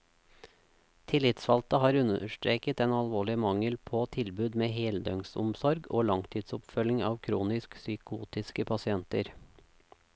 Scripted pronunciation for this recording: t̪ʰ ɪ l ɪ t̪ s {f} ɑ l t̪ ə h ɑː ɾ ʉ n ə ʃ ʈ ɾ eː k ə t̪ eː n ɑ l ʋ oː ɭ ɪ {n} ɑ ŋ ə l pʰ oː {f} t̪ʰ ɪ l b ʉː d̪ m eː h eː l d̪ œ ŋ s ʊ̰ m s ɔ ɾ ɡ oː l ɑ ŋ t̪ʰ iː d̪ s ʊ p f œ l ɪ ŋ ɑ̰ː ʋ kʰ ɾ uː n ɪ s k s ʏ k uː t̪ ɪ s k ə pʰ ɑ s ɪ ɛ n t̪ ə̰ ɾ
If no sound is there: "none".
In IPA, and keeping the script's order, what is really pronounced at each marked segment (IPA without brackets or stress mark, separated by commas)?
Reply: f, m, none